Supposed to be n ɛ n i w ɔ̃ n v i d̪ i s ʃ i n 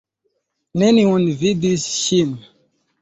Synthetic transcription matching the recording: n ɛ n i w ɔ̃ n v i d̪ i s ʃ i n